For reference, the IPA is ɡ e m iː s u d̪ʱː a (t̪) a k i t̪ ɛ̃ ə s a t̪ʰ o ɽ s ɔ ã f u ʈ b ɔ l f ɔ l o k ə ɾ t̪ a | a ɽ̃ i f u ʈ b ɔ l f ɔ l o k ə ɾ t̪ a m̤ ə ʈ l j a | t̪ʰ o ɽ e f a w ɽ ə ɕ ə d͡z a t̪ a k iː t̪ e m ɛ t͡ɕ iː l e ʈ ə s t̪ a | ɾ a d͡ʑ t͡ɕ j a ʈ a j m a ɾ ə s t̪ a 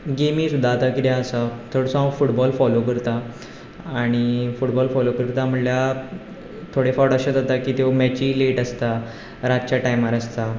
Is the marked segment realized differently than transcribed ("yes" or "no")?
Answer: no